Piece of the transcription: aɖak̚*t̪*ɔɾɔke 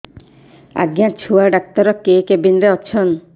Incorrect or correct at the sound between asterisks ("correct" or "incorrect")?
correct